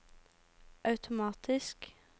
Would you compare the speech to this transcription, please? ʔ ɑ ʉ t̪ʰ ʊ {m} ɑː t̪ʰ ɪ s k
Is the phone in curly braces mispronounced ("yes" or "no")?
no